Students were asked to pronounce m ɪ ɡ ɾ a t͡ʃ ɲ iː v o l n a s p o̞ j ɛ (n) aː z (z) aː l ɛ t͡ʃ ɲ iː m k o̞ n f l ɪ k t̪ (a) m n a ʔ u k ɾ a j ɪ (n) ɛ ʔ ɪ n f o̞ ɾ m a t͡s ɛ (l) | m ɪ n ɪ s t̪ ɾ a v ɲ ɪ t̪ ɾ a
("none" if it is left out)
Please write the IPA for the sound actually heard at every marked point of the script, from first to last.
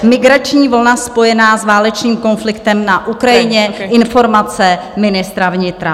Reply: n, v, ɛ, ɲ, none

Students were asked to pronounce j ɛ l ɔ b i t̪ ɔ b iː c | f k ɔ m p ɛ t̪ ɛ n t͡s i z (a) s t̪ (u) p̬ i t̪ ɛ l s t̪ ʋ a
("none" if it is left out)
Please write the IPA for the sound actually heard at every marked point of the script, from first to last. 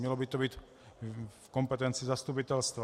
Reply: a, u

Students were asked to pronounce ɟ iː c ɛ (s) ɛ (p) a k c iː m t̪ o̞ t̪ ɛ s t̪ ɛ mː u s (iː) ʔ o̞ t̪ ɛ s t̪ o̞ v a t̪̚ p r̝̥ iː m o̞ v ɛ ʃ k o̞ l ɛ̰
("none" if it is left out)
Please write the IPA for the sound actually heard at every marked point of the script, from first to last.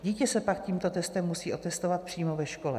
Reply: s, p, iː

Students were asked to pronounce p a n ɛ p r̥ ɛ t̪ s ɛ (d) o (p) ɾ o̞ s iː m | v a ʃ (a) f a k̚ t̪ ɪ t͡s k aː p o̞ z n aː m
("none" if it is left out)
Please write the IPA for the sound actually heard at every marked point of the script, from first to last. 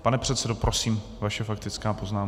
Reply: d, p, ɛ

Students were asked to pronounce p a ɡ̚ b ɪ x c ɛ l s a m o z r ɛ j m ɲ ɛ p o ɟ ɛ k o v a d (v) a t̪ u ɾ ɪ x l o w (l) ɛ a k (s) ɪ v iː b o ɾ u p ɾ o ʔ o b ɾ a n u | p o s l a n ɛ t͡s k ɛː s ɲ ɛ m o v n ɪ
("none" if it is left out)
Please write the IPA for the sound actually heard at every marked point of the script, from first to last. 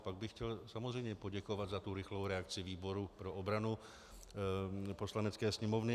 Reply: z, ɾ, t͡s

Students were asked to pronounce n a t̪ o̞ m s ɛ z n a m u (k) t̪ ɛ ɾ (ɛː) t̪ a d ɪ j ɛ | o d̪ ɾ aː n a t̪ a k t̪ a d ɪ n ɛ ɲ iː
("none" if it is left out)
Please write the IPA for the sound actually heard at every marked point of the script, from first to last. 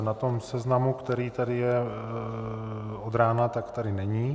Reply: k, iː

